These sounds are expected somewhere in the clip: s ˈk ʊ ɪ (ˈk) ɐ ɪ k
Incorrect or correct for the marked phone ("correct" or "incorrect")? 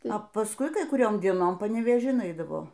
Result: correct